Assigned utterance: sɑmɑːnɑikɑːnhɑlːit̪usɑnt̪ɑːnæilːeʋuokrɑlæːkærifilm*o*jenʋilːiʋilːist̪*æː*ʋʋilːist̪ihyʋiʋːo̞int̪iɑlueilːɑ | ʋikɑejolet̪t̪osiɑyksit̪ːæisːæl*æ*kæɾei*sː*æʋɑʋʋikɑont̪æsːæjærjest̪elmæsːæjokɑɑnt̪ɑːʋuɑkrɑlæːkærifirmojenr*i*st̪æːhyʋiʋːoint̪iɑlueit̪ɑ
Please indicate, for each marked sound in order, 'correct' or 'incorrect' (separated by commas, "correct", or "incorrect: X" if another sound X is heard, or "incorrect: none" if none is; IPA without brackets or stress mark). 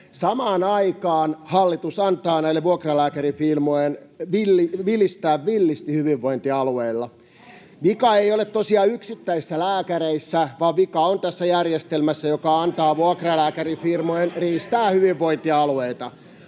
correct, correct, incorrect: æː, correct, incorrect: iː